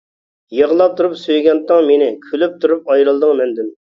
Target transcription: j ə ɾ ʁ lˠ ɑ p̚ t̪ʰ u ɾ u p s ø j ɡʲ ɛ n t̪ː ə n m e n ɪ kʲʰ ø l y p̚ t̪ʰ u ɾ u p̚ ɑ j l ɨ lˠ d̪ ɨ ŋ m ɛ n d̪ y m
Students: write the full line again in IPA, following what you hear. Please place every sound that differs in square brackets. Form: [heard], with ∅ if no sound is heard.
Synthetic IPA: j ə [∅] ʁ lˠ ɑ p̚ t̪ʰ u ɾ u p s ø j ɡʲ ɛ n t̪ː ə [ŋ] m e n ɪ kʲʰ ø l y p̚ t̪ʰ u ɾ u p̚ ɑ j [ɾ] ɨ lˠ d̪ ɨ ŋ m ɛ n d̪ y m